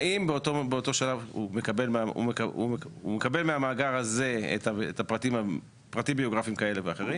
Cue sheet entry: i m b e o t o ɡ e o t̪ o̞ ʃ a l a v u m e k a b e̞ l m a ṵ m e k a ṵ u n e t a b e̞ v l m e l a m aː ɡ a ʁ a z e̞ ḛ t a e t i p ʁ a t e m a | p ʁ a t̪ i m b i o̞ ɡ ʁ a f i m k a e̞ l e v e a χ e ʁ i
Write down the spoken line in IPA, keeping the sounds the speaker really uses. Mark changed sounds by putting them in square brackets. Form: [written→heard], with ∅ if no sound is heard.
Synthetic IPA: i m b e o t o [ɡ→b] e o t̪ o̞ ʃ a l a v u m e k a b e̞ l m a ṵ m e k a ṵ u [n→m] e [t→k] a b e̞ [v→∅] l m e [l→∅] a m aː ɡ a ʁ a z e̞ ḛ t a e t [i→a] p ʁ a t [e→i] m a | p ʁ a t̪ i m b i o̞ ɡ ʁ a f i m k a e̞ l e v e a χ e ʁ i